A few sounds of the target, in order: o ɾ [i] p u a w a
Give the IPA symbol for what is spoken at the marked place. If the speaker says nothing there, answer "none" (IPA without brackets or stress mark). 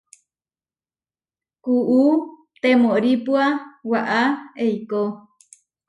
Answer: i